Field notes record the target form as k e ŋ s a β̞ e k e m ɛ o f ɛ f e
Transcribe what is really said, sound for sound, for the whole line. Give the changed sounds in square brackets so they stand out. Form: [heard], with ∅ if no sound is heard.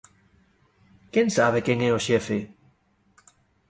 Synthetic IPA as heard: k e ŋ s a β̞ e k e [ŋ] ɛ o [ʃ] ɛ f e